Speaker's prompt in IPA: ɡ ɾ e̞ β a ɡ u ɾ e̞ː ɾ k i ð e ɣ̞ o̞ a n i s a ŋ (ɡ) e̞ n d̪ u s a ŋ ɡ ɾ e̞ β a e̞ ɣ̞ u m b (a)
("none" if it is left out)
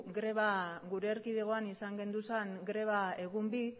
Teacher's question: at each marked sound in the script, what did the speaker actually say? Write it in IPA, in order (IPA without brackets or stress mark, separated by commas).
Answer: ɡ, i